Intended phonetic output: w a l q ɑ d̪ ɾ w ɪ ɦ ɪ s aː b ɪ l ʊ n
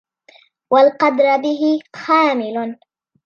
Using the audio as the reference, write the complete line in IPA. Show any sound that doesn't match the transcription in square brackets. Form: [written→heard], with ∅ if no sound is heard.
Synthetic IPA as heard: w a l q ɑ d̪ ɾ [w→b] ɪ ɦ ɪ [s→x] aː [b→m] ɪ l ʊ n

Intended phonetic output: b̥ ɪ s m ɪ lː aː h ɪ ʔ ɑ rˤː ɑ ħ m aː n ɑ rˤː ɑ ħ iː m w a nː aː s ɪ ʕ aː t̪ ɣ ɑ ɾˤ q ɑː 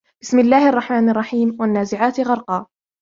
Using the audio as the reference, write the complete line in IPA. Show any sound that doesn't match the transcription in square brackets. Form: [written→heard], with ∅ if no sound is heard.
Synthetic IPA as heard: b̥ ɪ s m ɪ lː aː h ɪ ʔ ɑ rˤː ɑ ħ m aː n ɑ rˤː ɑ ħ iː m w a nː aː [s→z] ɪ ʕ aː t̪ ɣ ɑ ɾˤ q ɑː

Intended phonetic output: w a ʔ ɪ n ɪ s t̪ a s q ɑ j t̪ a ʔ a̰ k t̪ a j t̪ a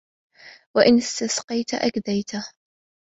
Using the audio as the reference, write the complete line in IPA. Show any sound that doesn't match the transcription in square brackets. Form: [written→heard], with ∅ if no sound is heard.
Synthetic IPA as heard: w a ʔ ɪ n ɪ s t̪ a s q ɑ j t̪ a ʔ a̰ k [t̪→d̪] a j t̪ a

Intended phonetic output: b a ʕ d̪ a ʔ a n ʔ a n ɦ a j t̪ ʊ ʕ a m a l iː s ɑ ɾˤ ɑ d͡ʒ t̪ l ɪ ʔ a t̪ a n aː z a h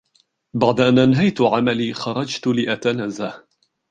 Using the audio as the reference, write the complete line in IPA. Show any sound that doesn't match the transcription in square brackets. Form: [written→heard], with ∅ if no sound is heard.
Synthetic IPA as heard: b a ʕ d̪ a ʔ a n ʔ a n ɦ a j t̪ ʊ ʕ a m a l iː [s→x] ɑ ɾˤ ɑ d͡ʒ t̪ l ɪ ʔ a t̪ a n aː z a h

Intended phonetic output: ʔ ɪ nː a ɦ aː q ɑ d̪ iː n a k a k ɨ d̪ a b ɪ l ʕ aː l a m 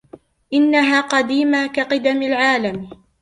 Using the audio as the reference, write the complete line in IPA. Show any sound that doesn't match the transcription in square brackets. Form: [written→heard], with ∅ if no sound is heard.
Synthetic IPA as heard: ʔ ɪ nː a ɦ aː q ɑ d̪ iː [n→m] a k a [k→q] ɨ d̪ a [b→m] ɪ l ʕ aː l a m

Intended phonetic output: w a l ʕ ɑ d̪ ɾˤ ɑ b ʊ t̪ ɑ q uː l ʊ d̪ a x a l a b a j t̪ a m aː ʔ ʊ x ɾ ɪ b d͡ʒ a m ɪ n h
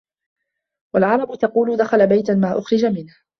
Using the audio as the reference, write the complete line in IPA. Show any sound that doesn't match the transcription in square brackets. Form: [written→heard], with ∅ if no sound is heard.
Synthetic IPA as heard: w a l ʕ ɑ [d̪→∅] ɾˤ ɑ b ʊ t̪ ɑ q uː l ʊ d̪ a x a l a b a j t̪ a m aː ʔ ʊ x ɾ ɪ [b→∅] d͡ʒ a m ɪ n h

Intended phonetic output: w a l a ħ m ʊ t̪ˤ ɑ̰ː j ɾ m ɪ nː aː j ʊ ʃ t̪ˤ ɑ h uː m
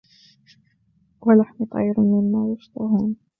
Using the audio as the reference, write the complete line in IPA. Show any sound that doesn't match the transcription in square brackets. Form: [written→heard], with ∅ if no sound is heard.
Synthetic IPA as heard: w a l a ħ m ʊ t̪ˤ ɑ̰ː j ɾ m ɪ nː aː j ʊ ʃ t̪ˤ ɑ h uː [m→n]

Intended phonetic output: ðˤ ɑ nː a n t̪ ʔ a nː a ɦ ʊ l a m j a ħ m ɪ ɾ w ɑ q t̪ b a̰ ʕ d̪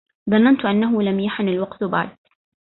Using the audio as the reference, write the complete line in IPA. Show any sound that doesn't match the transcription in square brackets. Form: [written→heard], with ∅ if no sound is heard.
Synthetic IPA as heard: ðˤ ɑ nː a n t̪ ʔ a nː a ɦ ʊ l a m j a ħ [m→n] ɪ [ɾ→l] w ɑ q t̪ b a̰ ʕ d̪

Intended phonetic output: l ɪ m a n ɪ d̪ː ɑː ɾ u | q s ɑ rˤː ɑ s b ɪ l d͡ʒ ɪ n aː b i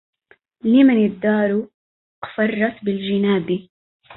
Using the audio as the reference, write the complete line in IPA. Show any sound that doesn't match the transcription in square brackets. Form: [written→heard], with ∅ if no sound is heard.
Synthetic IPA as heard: l ɪ m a n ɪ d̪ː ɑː ɾ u | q [s→f] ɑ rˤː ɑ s b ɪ l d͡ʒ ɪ n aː b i

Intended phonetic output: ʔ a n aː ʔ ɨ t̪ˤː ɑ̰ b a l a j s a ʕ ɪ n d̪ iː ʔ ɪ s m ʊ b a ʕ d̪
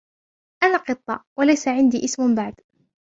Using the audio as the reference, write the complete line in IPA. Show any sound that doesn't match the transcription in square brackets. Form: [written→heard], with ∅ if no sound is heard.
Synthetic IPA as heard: ʔ a n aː [ʔ→q] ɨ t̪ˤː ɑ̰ [b→w] a l a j s a ʕ ɪ n d̪ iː ʔ ɪ s m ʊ b a ʕ d̪

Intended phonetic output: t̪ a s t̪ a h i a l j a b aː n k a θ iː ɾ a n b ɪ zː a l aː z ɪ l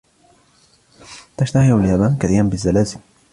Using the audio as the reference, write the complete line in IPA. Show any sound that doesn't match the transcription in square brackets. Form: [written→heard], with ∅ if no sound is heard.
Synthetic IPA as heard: t̪ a [s→ʃ] t̪ a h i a l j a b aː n k a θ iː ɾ a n b ɪ zː a l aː z ɪ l

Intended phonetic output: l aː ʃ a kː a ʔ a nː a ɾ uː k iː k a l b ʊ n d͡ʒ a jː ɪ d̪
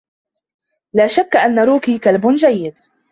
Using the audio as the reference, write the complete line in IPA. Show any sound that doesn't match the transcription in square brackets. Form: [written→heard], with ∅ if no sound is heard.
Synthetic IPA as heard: l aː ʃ a kː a ʔ a nː a ɾ uː k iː k a l b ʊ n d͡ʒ a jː ɪ d̪

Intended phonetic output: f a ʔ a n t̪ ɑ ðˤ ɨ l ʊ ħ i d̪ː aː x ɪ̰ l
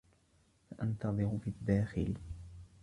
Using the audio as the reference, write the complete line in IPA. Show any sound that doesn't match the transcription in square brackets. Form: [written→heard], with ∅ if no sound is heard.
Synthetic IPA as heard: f a ʔ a n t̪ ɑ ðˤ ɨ [l→ɾ] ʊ [ħ→f] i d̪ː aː x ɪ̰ l

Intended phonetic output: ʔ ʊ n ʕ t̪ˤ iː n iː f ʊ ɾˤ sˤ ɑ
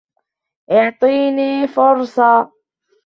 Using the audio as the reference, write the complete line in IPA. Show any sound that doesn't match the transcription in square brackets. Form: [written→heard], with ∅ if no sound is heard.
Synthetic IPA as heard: ʔ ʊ [n→∅] ʕ t̪ˤ iː n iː f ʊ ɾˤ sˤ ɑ

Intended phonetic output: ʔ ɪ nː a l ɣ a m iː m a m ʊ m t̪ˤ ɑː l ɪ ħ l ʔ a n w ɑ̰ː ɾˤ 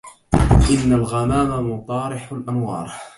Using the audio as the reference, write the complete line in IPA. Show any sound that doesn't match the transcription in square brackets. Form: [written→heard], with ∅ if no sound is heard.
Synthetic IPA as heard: ʔ ɪ nː a l ɣ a m [iː→aː] m a m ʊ [m→∅] t̪ˤ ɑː [l→ɾ] ɪ ħ l ʔ a n w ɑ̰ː ɾˤ

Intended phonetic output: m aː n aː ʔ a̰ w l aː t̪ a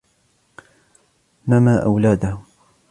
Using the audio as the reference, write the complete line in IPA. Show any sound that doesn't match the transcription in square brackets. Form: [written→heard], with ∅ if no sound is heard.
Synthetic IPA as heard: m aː [n→m] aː ʔ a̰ w l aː [t̪→d̪] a

